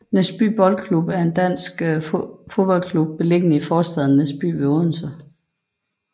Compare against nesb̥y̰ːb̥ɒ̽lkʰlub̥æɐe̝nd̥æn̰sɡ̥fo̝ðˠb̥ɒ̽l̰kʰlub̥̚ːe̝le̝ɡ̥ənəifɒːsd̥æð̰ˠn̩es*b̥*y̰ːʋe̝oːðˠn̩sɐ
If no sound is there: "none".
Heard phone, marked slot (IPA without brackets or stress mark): b̥